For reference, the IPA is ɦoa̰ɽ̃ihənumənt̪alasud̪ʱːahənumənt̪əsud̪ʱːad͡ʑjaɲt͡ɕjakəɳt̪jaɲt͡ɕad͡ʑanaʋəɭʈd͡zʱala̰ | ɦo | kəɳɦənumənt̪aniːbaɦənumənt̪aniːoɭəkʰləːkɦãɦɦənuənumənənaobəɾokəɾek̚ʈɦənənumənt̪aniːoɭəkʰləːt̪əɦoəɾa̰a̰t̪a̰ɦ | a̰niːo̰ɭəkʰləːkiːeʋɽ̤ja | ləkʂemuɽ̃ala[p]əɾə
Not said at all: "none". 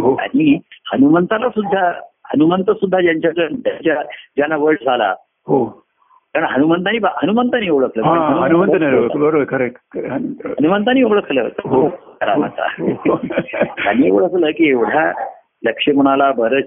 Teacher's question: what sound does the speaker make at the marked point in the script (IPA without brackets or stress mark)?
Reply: b